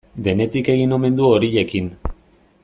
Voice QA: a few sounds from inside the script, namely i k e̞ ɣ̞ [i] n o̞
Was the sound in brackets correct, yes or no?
yes